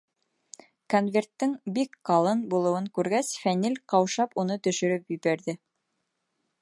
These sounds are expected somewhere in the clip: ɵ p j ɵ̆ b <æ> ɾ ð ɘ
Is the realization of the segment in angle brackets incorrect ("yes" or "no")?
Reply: no